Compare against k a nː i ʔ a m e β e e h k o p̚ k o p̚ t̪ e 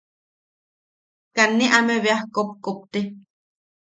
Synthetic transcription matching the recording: k a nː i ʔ a m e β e a h k o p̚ k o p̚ t̪ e